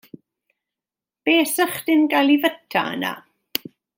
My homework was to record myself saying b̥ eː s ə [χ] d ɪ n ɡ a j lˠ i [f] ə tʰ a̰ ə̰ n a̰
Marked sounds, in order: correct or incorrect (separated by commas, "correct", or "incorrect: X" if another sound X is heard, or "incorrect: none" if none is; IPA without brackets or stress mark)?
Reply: correct, incorrect: v